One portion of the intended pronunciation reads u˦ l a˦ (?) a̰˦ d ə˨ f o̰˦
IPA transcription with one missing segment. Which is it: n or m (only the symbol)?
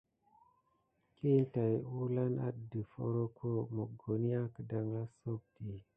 n